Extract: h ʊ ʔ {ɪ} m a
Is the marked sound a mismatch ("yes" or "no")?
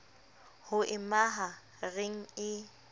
no